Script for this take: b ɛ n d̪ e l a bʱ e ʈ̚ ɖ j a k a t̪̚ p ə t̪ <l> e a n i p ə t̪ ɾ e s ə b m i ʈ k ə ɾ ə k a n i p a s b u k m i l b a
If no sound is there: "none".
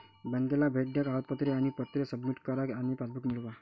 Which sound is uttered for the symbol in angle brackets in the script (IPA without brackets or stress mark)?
ɾ